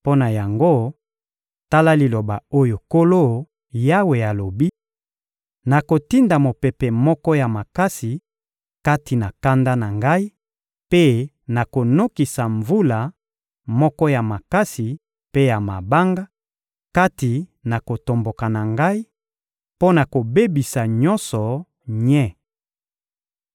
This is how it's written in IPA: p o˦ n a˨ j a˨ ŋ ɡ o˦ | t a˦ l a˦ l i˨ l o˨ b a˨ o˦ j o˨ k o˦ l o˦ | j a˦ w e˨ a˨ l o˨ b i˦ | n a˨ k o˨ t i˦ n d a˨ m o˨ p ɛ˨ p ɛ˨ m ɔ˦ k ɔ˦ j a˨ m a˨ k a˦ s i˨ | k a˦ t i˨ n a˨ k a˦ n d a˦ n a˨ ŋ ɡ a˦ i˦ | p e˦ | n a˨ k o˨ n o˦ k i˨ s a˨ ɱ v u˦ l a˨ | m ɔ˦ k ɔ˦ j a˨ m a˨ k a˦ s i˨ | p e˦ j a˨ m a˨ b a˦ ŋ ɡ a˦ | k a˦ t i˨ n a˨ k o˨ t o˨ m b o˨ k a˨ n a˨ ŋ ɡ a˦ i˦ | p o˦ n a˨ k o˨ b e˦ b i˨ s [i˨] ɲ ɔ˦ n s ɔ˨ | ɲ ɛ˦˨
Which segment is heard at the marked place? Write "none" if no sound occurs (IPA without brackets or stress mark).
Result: a˨